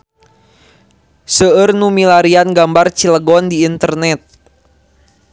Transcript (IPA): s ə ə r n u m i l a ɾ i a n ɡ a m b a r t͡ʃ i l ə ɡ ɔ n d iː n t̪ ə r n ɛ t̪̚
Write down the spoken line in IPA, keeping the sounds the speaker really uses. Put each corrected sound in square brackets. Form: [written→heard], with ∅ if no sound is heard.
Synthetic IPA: s ə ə r n u m i l a ɾ i a n ɡ a m b a r t͡ʃ i l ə ɡ ɔ n d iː n t̪ ə r n ɛ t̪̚

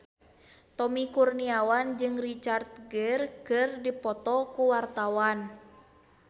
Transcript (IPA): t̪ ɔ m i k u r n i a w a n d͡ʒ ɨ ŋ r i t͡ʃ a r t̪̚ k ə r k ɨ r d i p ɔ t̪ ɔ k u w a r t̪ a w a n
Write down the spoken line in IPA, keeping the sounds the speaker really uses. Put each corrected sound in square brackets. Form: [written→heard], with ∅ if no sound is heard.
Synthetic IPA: t̪ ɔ m i k u r n i a w a n d͡ʒ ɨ ŋ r i t͡ʃ a r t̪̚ [k→ɡ] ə r k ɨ r d i p ɔ t̪ ɔ k u w a r t̪ a w a n

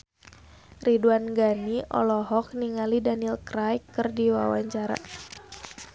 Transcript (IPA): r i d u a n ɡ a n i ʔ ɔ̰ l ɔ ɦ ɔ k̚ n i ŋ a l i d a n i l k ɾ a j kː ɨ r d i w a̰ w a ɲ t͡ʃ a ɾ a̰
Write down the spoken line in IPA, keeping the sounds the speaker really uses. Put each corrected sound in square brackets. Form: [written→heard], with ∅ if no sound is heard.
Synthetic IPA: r i d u a n ɡ a n i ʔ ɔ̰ l ɔ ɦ ɔ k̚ n i ŋ a l i d a n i l k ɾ a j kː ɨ r d i w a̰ w a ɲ t͡ʃ a ɾ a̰

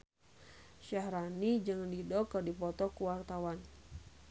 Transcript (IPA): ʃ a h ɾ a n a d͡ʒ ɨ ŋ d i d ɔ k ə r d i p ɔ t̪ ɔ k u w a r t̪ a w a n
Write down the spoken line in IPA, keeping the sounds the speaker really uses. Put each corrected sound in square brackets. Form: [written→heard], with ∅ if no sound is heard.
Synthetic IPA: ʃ a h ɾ a n [a→i] d͡ʒ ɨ ŋ d i d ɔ k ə r d i p ɔ t̪ ɔ k u w a r t̪ a w a n

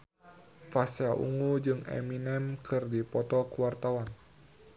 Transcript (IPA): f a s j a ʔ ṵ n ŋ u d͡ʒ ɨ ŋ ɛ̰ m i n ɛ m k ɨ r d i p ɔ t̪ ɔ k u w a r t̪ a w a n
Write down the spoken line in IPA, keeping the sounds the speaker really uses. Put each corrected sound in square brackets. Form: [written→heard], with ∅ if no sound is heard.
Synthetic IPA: f a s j a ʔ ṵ [n→∅] ŋ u d͡ʒ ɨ ŋ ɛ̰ m i n ɛ m k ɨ r d i p ɔ t̪ ɔ k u w a r t̪ a w a n

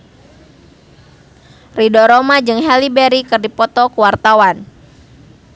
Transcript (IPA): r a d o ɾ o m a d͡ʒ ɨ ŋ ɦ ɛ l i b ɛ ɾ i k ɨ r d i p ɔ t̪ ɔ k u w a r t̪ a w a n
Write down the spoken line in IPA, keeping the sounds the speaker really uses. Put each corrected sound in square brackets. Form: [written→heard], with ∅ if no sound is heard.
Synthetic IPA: r [a→i] d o ɾ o m a d͡ʒ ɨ ŋ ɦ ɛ l i b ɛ ɾ i k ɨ r d i p ɔ t̪ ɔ k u w a r t̪ a w a n

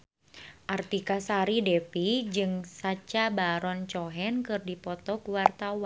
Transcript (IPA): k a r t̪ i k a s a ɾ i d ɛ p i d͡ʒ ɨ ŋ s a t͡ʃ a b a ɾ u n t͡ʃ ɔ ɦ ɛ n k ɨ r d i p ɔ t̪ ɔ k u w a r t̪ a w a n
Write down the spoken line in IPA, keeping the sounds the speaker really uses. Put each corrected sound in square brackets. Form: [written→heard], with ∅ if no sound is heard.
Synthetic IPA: [k→ʔ] a r t̪ i k a s a ɾ i d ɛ p i d͡ʒ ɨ ŋ s a t͡ʃ a b a ɾ [u→ɔ] n t͡ʃ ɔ ɦ ɛ n k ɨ r d i p ɔ t̪ ɔ k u w a r t̪ a w a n

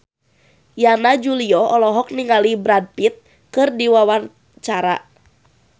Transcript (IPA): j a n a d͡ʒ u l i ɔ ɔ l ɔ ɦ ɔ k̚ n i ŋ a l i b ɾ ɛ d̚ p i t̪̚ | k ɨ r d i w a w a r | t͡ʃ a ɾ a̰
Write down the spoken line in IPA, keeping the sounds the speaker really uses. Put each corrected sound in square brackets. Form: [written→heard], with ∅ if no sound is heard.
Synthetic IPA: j a n a d͡ʒ u l i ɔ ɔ l ɔ ɦ ɔ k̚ n i ŋ a l i b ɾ [ɛ→a] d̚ p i t̪̚ | k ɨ r d i w a w a r | t͡ʃ a ɾ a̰

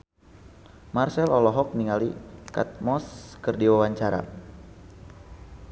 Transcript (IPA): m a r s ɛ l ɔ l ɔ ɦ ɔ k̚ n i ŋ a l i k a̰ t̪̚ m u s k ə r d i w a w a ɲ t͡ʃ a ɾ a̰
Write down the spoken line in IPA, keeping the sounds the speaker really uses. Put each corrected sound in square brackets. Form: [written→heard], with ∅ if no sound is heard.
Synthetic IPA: m a r s ɛ l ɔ l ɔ ɦ ɔ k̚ n i ŋ a l i k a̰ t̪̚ m [u→ɔ] s k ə r d i w a w a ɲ t͡ʃ a ɾ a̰

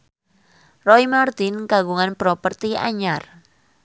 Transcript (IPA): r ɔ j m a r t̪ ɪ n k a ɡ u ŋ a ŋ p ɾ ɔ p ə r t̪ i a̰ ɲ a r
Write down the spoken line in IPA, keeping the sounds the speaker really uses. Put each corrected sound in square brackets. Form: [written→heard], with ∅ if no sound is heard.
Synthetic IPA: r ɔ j m a r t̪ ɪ n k a ɡ u ŋ a [ŋ→n] p ɾ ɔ p ə r t̪ i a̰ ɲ a r

